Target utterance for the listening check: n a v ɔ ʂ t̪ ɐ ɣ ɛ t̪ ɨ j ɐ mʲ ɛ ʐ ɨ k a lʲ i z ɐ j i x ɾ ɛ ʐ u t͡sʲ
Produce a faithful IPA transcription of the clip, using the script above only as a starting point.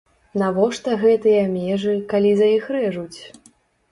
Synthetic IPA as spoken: n a v ɔ ʂ t̪ ɐ ɣ ɛ t̪ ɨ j ɐ mʲ ɛ ʐ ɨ k a lʲ i z ɐ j i x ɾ ɛ ʐ u t͡sʲ